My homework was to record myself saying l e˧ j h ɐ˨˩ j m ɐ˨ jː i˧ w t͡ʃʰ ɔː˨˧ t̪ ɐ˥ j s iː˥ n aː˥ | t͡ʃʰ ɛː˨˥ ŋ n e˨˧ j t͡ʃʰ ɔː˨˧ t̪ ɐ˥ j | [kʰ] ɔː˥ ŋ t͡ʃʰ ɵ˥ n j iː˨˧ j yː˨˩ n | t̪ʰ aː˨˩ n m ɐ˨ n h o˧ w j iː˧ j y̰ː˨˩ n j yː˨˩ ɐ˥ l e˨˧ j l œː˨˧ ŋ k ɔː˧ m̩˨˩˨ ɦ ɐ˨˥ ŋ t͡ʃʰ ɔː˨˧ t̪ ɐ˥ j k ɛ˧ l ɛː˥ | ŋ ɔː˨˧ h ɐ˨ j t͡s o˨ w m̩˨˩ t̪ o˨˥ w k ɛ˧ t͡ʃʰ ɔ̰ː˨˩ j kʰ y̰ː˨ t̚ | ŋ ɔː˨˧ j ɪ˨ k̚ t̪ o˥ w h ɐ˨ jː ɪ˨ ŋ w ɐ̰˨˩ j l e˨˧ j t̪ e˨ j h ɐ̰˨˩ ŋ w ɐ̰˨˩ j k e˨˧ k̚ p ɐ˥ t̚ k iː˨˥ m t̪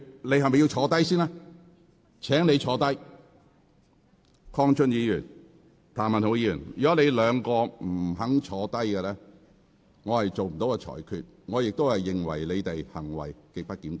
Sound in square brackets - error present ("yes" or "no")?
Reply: no